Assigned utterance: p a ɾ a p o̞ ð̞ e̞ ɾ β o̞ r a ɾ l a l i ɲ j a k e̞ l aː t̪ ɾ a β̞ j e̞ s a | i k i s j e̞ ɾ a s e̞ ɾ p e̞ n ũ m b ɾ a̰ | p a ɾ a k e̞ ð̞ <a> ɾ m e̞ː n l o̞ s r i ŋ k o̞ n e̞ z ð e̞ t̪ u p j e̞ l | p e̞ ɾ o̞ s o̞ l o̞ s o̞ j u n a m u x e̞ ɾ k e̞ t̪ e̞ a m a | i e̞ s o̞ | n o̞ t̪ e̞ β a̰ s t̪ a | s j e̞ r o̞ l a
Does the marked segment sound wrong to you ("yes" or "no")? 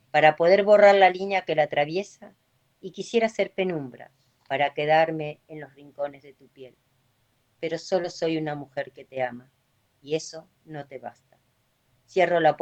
no